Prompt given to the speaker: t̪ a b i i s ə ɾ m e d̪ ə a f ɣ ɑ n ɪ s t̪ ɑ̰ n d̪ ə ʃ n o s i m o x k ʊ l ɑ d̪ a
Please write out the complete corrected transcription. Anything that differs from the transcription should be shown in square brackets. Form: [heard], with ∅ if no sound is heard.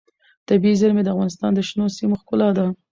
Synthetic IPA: t̪ a b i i [z] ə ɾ m e d̪ ə a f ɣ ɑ n ɪ s t̪ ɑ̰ n d̪ ə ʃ n o s i m o x k ʊ l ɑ d̪ a